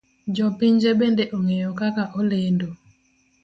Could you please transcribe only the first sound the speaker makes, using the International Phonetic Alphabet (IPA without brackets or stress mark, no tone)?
d͡ʒ